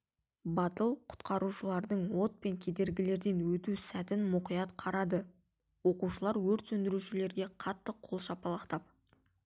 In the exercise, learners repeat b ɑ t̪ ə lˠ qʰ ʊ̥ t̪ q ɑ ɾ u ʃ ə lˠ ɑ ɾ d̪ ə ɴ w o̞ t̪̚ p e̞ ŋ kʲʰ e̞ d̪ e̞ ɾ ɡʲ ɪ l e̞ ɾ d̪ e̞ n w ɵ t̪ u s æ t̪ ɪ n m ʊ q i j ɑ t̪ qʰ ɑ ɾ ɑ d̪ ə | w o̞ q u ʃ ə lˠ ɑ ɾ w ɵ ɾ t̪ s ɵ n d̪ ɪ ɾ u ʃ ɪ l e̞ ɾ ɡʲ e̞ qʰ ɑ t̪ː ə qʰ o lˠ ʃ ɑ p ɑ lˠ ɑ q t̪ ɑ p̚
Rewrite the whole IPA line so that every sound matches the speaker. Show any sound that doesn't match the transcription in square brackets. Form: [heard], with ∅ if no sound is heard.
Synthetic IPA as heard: b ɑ t̪ ə lˠ qʰ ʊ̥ t̪ q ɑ ɾ u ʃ ə lˠ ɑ ɾ d̪ ə ɴ w o̞ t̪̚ p e̞ ŋ kʲʰ e̞ d̪ e̞ ɾ ɡʲ ɪ l e̞ ɾ d̪ e̞ n w ɵ t̪ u s æ t̪ ɪ n m ʊ q i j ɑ t̪ qʰ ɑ ɾ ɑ d̪ ə | w o̞ q u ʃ ə lˠ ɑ ɾ w ɵ ɾ t̪ s ɵ n d̪ ɪ ɾ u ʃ ɪ l e̞ ɾ ɡʲ e̞ qʰ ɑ t̪ː ə qʰ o lˠ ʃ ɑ p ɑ lˠ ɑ q t̪ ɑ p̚